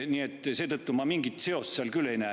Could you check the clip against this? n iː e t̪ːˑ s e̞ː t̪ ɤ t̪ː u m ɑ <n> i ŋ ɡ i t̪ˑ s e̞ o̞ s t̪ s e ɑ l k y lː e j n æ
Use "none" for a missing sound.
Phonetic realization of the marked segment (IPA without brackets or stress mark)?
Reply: m